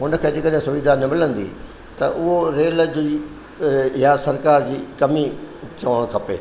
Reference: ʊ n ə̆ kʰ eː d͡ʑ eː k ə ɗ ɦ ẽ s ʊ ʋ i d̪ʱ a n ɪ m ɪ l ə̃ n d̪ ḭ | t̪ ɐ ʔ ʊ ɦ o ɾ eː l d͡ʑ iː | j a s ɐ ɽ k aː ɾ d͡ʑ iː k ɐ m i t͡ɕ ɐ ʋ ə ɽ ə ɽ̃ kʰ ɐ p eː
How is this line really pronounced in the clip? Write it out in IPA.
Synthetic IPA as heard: ʊ n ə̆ kʰ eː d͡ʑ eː k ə ɗ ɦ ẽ s ʊ ʋ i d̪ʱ a n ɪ m ɪ l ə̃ n d̪ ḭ | t̪ ɐ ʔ ʊ ɦ o ɾ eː l d͡ʑ iː | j a s ɐ ɾ k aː ɾ d͡ʑ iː k ɐ m i t͡ɕ ɐ ʋ ə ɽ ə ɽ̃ kʰ ɐ p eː